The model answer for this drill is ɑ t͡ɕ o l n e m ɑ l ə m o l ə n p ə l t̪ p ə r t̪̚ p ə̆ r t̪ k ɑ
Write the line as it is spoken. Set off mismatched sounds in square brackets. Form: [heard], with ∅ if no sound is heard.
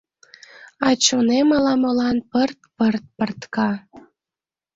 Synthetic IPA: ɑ t͡ɕ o [∅] n e m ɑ l [ɑ] m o l [ɑ] n p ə [r] t̪ p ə r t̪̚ p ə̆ r t̪ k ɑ